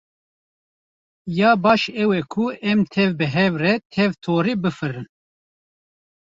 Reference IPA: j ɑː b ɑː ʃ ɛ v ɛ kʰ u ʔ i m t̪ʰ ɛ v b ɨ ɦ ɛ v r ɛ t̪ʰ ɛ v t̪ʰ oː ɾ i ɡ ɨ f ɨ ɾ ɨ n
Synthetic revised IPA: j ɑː b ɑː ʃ ɛ w ɛ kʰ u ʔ ɛ m t̪ʰ ɛ v b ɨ ɦ ɛ v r ɛ t̪ʰ ɛ v t̪ʰ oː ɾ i b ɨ f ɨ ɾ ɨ n